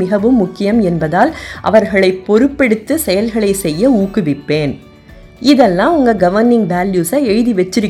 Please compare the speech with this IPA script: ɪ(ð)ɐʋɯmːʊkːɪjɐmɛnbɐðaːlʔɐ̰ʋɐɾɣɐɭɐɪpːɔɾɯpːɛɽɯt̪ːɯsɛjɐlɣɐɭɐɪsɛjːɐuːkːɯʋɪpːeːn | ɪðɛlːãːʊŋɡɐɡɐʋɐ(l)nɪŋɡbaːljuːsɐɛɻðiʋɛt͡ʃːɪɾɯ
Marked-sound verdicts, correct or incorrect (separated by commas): incorrect, incorrect